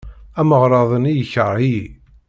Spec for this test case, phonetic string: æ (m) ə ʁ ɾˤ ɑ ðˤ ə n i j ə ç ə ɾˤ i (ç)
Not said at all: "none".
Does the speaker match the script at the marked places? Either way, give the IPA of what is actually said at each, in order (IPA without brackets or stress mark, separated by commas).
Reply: m, none